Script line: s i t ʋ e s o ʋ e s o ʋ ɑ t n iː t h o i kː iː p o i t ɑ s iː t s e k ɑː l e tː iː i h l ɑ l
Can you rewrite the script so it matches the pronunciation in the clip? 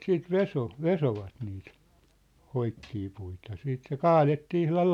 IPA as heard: s iː t ʋ e s o ʋ e s o ʋ ɑ t n iː t h o i kː iː p u i t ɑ s iː t s e k ɑː l e tː iː i h l ɑ l